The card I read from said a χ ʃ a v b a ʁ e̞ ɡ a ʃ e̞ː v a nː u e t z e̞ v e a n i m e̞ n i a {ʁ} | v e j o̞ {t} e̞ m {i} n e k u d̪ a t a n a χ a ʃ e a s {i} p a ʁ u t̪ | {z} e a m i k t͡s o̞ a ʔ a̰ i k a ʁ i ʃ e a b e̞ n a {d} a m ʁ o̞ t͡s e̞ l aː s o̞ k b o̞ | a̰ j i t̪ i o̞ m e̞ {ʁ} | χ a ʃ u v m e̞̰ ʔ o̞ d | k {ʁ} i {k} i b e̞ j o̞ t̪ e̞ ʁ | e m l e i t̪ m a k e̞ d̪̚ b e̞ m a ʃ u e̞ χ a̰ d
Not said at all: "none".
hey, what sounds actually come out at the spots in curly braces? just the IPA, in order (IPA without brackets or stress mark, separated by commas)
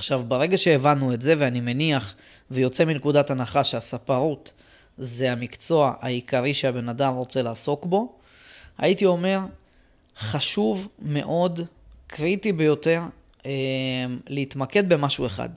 χ, t͡s, i, a, z, d, ʁ, ʁ, t